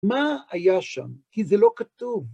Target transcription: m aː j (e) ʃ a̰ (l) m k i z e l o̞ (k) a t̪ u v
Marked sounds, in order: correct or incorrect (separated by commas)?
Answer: incorrect, incorrect, correct